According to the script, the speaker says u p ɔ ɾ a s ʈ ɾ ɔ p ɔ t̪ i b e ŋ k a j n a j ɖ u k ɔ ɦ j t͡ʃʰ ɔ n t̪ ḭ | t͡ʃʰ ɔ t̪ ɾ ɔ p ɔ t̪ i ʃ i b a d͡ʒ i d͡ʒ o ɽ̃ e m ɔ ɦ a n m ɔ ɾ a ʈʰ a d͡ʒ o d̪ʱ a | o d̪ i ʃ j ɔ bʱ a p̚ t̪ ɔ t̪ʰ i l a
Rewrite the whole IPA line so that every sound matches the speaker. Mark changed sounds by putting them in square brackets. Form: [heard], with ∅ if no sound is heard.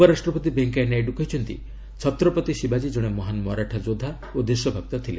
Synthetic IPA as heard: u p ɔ ɾ a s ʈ ɾ ɔ p ɔ t̪ i b e ŋ k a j n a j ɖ u k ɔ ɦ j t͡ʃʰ ɔ n t̪ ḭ | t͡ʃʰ ɔ t̪ ɾ ɔ p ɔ t̪ i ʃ i b a d͡ʒ i d͡ʒ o ɽ̃ e m ɔ ɦ a n m ɔ ɾ a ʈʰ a d͡ʒ o d̪ʱ a | o d̪ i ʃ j ɔ bʱ a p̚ t̪ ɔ t̪ʰ i l [e]